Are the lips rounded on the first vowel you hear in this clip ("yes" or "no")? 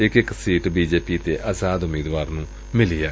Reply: no